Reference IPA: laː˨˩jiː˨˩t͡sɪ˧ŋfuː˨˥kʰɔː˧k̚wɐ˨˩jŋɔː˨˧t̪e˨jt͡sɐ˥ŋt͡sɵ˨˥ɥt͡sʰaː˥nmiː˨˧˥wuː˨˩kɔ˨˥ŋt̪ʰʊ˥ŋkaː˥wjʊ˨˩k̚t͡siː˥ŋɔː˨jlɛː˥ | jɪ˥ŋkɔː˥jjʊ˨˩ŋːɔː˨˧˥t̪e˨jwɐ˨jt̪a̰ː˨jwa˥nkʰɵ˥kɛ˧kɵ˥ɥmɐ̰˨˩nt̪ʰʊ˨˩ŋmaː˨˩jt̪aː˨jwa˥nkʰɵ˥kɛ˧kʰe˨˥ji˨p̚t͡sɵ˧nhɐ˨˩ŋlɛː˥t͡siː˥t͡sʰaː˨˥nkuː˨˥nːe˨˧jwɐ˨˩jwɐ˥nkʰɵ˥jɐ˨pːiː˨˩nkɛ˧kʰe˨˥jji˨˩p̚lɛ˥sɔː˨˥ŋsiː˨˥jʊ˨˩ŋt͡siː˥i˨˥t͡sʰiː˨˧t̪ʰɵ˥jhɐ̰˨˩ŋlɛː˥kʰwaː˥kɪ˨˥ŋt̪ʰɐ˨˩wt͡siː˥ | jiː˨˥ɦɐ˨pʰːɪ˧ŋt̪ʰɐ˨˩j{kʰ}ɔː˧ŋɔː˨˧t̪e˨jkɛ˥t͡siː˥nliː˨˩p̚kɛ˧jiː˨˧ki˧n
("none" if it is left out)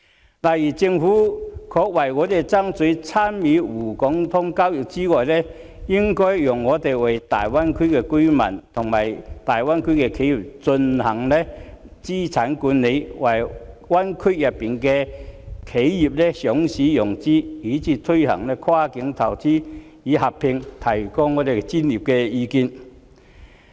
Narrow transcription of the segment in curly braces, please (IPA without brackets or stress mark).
k